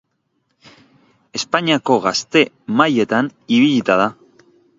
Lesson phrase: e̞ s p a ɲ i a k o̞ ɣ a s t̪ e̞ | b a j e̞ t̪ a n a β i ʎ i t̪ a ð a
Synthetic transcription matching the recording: e̞ s p a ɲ i a k o̞ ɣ a s t̪ e̞ | m a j e̞ t̪ a n i β i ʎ i t̪ a ð a